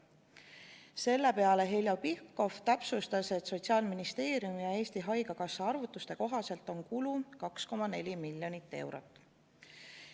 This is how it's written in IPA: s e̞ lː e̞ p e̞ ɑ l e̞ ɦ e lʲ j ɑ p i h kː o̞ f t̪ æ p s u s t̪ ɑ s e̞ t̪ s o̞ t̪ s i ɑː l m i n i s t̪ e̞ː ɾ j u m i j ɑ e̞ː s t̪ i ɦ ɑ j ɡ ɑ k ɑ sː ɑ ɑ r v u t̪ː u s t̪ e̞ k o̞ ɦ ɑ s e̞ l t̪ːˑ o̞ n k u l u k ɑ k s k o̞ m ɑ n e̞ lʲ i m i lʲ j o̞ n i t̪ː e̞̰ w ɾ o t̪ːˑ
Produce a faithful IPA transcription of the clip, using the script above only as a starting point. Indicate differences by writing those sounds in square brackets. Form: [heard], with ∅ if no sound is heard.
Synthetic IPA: s e̞ lː e̞ p e̞ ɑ l e̞ ɦ e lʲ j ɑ p i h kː o̞ f t̪ æ p s u s t̪ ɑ s e̞ t̪ s o̞ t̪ s i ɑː l m i n i s t̪ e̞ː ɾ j u m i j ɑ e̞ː s t̪ i ɦ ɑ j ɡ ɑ k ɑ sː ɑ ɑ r v u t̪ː u s t̪ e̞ k o̞ ɦ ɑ s e̞ l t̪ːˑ o̞ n k u l u k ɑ k s k o̞ m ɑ n e̞ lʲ i m i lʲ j o̞ n i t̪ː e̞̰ w ɾ o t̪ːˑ